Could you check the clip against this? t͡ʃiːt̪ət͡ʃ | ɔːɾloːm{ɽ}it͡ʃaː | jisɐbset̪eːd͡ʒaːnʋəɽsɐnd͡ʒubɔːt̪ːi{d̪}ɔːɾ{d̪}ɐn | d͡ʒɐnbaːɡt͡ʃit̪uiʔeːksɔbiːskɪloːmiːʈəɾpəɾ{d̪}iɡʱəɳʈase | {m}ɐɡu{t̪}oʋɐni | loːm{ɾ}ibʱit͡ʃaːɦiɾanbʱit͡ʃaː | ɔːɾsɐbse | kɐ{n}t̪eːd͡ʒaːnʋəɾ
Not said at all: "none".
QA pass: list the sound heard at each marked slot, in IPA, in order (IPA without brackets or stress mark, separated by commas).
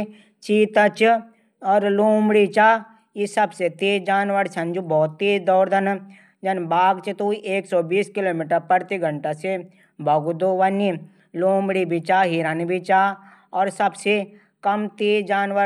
ɽ, d̪, d̪, t̪, b, d̪, ɽ, m